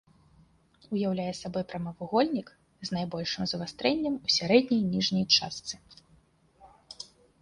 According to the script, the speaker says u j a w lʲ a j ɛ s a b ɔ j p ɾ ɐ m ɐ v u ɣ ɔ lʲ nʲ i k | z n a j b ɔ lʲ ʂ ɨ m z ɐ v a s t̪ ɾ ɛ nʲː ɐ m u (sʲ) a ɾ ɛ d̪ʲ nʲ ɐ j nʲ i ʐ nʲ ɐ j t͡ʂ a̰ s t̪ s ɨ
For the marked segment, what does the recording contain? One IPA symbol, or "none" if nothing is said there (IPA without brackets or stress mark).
sʲ